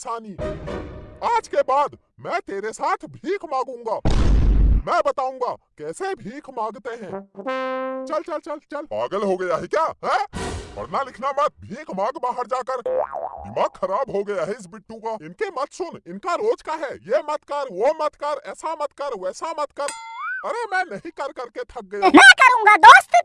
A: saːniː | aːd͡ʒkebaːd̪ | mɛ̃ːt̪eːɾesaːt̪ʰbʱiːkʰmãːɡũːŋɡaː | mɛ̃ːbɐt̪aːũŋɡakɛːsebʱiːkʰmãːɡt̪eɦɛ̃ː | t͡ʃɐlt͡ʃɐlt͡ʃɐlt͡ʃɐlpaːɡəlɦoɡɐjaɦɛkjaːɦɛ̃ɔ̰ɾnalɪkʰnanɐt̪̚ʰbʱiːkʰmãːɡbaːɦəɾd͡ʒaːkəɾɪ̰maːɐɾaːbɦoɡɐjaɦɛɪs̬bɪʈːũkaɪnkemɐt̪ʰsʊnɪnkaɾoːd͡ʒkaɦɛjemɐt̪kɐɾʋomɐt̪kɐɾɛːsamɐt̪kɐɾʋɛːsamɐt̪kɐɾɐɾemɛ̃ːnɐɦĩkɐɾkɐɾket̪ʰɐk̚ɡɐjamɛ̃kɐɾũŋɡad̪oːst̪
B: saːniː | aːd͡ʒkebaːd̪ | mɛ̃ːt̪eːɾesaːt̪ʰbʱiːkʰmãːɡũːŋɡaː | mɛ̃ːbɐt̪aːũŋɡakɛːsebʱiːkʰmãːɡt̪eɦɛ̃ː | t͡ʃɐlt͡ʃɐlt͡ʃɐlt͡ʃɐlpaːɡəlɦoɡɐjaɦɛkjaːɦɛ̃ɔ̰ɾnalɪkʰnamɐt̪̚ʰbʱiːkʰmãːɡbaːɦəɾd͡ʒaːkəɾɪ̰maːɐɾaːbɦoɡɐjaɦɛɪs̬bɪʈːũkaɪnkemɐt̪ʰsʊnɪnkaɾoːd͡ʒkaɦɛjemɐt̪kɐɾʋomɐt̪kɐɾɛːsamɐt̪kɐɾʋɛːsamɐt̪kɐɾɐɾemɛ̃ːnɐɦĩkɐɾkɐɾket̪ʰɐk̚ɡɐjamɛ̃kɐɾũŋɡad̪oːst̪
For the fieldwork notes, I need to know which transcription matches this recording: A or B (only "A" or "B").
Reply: B